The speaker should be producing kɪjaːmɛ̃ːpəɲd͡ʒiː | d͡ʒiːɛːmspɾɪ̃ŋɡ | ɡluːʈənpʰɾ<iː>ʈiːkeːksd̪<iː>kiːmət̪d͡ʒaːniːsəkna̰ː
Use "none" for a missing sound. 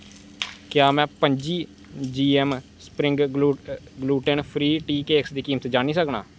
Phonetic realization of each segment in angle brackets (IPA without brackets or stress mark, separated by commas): iː, iː